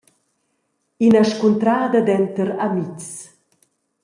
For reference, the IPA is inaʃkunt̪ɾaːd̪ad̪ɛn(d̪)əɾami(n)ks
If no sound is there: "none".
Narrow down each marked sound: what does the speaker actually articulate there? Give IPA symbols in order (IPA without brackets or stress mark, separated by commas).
t̪, none